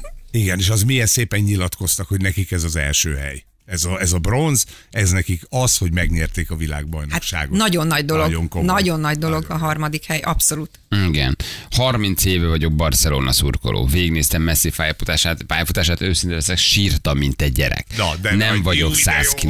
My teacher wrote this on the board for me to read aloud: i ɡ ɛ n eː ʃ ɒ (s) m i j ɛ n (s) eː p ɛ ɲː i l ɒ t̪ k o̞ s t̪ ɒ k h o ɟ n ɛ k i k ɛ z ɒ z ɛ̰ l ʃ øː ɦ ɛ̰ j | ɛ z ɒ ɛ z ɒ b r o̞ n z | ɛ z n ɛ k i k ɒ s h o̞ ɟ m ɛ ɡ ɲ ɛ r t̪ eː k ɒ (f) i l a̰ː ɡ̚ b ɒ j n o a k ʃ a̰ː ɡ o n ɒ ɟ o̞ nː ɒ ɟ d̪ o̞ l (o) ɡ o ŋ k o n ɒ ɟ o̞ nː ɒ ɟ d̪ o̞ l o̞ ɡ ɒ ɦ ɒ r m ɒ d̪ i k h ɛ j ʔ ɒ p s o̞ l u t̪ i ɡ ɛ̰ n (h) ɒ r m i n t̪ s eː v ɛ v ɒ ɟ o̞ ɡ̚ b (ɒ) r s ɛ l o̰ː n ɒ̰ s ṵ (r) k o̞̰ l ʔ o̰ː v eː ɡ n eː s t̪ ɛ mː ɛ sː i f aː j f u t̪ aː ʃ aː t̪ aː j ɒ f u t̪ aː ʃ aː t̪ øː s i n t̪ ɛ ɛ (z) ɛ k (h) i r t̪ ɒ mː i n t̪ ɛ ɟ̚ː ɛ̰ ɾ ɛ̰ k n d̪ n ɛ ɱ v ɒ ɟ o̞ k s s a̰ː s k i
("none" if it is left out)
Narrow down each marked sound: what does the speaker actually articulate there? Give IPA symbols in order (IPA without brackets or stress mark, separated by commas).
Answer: z, s, v, o, h, ɒ, r, s, ʃ